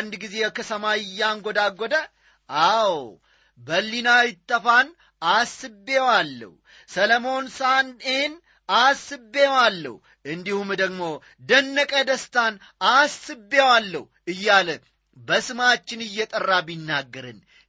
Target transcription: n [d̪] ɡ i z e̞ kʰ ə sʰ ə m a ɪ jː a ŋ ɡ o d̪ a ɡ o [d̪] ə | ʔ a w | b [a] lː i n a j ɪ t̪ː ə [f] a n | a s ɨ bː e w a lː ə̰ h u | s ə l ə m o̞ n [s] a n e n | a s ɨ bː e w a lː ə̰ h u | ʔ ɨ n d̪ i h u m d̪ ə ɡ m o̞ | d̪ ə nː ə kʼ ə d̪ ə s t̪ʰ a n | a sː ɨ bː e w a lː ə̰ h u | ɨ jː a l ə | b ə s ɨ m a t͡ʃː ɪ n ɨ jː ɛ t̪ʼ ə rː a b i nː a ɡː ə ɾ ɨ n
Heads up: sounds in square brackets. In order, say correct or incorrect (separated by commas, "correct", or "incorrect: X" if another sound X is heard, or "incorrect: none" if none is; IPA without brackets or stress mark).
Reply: correct, correct, incorrect: ə, correct, correct